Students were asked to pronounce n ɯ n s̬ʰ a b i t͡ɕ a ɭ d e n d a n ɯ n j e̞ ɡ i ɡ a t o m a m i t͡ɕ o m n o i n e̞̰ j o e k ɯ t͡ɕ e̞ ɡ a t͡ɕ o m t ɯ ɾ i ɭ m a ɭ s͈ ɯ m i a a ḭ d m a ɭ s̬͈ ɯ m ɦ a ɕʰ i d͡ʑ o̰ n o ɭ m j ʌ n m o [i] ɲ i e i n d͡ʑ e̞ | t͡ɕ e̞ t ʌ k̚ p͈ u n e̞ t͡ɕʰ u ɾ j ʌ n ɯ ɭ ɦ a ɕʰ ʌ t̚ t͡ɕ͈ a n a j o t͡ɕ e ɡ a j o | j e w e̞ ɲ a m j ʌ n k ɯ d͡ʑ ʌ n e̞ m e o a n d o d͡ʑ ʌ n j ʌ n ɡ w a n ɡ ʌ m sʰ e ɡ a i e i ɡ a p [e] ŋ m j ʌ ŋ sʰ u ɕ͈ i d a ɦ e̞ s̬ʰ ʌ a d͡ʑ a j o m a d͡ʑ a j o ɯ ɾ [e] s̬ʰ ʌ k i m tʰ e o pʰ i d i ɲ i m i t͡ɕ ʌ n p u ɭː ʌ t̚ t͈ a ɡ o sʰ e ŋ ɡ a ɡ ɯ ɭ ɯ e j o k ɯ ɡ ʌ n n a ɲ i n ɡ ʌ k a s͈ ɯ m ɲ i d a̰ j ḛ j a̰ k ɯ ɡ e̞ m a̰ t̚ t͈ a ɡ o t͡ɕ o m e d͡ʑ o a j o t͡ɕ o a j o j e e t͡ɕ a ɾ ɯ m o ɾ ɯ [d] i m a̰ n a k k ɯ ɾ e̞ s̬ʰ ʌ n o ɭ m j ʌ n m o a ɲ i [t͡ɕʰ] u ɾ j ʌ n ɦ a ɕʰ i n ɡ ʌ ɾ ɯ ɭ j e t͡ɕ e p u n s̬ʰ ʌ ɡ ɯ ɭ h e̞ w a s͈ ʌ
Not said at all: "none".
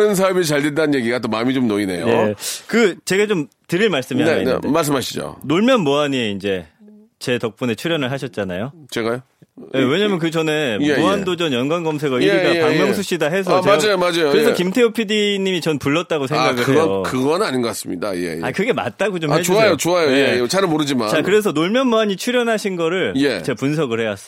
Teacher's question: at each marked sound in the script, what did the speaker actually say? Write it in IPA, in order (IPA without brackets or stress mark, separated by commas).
a, a, e, d͡ʑ, t͡ɕʰ